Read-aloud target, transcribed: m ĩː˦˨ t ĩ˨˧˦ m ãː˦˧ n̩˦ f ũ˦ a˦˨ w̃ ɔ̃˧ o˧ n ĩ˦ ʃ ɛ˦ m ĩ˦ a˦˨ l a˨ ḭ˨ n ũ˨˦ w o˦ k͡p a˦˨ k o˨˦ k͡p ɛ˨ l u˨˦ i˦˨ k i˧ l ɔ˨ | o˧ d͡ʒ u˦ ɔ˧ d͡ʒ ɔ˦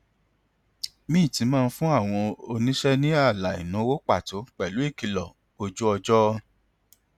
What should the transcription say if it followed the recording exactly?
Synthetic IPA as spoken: m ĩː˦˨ t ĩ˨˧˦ m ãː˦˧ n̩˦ f ũ˦ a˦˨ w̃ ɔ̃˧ o˧ n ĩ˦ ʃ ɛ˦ n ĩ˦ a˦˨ l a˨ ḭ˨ n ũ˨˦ w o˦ k͡p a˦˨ t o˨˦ k͡p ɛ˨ l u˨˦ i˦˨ k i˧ l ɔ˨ | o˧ d͡ʒ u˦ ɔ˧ d͡ʒ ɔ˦

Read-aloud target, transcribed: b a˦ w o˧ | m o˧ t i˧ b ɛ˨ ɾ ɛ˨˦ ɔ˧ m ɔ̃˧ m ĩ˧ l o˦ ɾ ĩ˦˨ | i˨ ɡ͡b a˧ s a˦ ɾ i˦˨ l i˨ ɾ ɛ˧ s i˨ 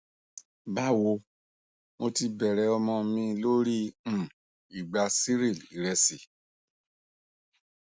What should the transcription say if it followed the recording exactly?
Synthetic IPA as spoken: b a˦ w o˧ | m o˧ t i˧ b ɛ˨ ɾ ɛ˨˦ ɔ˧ m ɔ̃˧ m ĩ˧ l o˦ ɾ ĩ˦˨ | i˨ ɡ͡b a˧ s i˦ ɾ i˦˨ l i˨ ɾ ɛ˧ s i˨

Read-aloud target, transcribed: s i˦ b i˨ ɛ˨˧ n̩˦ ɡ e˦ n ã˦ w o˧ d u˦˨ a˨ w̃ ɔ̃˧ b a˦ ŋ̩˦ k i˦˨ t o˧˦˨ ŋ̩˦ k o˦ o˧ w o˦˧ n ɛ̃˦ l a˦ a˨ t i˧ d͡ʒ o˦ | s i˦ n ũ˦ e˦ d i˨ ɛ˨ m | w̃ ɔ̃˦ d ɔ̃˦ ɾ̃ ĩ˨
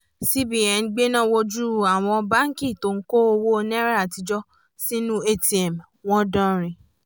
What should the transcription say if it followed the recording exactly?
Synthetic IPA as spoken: s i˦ b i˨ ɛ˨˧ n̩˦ ɡ͡b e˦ n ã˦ w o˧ d͡ʒ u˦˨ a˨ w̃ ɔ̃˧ b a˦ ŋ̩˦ k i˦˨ t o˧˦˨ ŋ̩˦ k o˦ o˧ w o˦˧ n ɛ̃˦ ɾ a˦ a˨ t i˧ d͡ʒ ɔ˦ | s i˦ n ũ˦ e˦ t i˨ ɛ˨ m | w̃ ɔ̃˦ d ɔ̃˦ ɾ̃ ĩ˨

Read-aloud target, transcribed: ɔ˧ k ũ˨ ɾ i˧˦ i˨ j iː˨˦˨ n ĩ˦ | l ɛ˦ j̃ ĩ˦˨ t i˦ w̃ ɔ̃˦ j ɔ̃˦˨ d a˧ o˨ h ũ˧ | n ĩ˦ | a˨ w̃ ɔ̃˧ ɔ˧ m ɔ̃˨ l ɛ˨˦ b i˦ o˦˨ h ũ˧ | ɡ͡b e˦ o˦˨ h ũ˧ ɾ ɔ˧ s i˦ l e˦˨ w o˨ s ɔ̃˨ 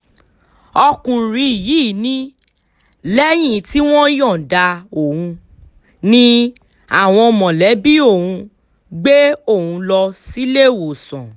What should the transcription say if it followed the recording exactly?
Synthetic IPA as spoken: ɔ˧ k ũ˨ ɾ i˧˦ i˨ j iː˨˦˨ n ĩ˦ | l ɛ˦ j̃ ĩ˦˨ t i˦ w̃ ɔ̃˦ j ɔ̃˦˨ d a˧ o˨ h ũ˧ | n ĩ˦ | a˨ w̃ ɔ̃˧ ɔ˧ m ɔ̃˨ l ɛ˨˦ b i˦ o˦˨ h ũ˧ | ɡ͡b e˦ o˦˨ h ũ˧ l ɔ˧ s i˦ l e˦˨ w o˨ s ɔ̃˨

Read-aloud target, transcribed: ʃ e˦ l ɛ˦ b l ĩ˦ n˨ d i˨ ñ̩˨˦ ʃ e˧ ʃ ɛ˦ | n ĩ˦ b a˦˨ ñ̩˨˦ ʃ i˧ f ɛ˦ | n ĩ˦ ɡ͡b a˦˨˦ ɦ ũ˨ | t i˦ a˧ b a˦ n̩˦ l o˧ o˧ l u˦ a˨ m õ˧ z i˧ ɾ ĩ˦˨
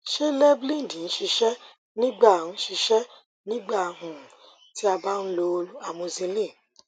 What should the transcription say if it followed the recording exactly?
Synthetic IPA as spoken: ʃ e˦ l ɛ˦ b l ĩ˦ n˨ d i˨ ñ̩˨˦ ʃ i˧ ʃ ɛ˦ | n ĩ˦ ɡ͡b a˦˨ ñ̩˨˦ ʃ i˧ ʃ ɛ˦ | n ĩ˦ ɡ͡b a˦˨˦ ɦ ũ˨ | t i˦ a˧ b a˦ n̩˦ l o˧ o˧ l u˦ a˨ m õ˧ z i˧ l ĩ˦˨

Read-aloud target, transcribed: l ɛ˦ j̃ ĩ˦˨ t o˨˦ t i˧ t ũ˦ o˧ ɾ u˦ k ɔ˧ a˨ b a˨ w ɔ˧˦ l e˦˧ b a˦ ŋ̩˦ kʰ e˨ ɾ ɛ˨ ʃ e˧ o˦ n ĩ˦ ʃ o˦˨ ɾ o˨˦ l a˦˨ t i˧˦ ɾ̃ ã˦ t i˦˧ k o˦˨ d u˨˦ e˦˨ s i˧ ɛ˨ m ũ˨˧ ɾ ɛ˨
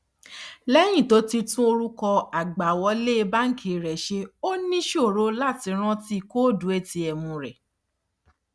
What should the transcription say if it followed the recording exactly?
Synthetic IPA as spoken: l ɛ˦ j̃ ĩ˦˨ t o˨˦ t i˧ t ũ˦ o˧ ɾ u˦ k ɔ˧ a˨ ɡ͡b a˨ w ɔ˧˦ l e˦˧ b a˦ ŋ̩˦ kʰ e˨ ɾ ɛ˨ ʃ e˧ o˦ n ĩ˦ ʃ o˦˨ ɾ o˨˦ l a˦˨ t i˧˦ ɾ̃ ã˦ t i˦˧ k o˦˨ d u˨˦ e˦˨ t i˧ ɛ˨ m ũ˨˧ ɾ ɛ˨

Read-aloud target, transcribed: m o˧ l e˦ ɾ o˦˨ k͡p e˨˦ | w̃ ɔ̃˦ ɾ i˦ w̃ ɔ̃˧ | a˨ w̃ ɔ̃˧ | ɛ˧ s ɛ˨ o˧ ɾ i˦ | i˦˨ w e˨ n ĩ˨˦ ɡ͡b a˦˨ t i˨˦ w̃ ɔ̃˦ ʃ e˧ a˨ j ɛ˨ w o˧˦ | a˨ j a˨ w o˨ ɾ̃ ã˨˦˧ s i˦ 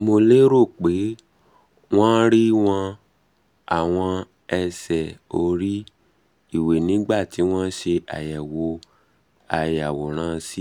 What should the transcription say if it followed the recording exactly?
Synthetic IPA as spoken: m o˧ l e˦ ɾ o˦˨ k͡p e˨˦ | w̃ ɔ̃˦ ɾ i˦ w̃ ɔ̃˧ | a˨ w̃ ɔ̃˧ | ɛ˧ s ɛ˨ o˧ ɾ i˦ | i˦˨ w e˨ n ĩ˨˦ ɡ͡b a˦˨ t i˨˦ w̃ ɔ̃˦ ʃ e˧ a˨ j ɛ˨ w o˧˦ | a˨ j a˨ w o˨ ɾ̃ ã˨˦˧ s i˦

